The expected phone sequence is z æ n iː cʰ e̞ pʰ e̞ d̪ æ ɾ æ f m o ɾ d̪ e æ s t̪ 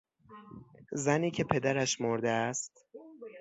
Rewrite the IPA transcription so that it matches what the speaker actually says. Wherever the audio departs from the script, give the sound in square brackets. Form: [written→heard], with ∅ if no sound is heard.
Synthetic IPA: z æ n iː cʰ e̞ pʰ e̞ d̪ æ ɾ æ [f→ʃ] m o ɾ d̪ e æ s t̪